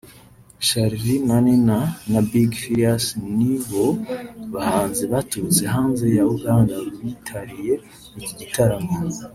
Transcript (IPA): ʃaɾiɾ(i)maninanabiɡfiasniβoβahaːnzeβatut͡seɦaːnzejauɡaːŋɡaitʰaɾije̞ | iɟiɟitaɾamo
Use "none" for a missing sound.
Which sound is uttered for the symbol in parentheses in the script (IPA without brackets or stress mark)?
i